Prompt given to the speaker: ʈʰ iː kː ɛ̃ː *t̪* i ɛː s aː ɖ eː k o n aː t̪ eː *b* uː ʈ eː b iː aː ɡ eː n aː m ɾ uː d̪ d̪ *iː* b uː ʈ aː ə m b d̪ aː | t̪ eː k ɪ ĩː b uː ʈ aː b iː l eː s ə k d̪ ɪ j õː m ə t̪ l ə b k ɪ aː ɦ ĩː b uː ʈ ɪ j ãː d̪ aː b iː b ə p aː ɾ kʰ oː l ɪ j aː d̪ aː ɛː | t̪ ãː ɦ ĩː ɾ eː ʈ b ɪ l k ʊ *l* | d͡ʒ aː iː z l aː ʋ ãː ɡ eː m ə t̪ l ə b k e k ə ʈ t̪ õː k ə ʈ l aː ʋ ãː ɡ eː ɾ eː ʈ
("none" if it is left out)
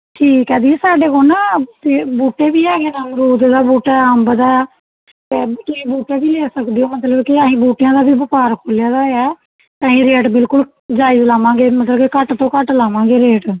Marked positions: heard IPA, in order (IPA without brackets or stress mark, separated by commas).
d̪, b, aː, l